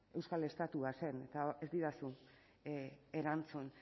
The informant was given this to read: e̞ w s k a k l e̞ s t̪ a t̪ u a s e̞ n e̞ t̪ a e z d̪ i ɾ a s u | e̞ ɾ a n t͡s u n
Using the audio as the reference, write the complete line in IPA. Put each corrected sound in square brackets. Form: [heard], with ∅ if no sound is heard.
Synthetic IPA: e̞ w s k a [∅] l e̞ s t̪ a t̪ u a s e̞ n e̞ t̪ a e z d̪ i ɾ a s u | e̞ ɾ a n t͡s u n